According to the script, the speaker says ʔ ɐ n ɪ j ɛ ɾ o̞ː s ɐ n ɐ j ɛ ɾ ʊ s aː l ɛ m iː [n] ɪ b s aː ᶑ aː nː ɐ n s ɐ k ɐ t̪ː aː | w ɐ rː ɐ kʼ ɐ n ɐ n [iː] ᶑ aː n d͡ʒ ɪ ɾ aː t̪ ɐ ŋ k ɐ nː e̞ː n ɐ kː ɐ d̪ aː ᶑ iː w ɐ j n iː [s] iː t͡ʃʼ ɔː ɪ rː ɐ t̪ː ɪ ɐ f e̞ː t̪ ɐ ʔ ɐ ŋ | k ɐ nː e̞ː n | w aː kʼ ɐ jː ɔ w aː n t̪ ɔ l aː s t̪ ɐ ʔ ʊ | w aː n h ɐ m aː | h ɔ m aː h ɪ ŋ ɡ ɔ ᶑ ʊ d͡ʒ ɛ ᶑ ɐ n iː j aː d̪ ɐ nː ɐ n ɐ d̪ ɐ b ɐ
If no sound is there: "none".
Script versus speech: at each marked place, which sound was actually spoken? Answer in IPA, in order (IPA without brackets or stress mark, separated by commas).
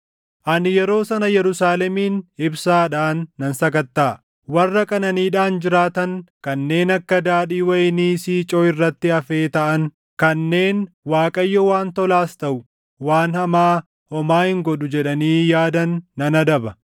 n, iː, s